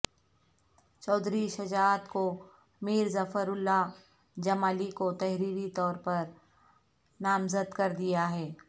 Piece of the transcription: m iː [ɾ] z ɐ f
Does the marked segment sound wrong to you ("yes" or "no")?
no